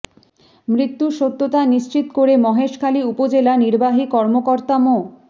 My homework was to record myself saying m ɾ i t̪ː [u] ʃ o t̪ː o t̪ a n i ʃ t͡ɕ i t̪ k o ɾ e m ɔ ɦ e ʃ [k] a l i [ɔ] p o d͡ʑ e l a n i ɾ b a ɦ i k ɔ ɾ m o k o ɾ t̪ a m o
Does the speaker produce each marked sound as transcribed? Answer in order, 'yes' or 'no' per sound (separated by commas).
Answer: yes, no, no